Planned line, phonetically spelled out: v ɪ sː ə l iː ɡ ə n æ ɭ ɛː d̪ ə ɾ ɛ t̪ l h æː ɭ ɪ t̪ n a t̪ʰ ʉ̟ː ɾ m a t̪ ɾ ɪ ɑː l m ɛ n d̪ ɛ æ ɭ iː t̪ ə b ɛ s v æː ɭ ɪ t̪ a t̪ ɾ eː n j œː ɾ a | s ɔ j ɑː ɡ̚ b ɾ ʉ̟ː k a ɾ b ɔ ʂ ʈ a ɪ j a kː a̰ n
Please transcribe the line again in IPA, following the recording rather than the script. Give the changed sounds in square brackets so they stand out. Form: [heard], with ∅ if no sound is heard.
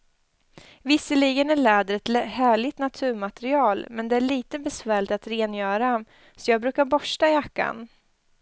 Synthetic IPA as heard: v ɪ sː ə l iː ɡ ə n æ ɭ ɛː d̪ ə ɾ ɛ t̪ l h æː ɭ ɪ t̪ n a t̪ʰ ʉ̟ː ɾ m a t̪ ɾ ɪ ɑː l m ɛ n d̪ ɛ æ ɭ iː t̪ ə b ɛ s v æː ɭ ɪ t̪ a t̪ ɾ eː n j œː ɾ a | s ɔ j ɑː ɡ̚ b ɾ ʉ̟ː k a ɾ b ɔ ʂ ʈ a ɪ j a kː a̰ n